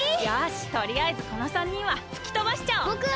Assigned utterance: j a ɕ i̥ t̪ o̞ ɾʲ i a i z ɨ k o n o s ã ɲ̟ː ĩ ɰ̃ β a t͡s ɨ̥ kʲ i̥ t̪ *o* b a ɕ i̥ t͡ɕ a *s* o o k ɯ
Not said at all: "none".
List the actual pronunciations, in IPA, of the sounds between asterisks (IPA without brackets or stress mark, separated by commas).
o, none